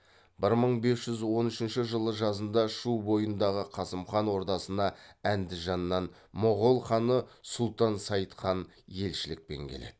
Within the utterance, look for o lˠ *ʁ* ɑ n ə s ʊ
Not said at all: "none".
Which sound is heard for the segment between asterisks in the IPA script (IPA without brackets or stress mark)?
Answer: χ